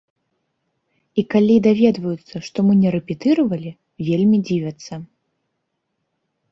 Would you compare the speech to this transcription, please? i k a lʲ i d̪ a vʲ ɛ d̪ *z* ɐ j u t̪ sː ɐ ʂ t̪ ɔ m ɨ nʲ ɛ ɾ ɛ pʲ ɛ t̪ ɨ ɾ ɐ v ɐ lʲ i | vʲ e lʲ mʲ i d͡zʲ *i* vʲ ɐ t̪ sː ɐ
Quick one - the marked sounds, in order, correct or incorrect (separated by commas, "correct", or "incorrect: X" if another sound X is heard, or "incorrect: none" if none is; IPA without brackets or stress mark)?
incorrect: v, correct